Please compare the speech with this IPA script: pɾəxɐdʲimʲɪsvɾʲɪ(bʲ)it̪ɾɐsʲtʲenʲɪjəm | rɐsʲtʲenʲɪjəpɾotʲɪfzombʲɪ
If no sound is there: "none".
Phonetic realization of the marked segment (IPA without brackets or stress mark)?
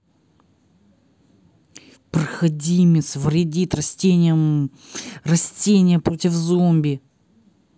dʲ